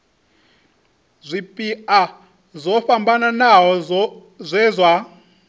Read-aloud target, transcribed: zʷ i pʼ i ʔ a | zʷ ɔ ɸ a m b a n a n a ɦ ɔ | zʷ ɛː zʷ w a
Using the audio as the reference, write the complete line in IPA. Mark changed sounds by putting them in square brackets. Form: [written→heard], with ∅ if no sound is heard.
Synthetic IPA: zʷ i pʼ i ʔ a | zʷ ɔ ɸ a m b a n a n a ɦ ɔ | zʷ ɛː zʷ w a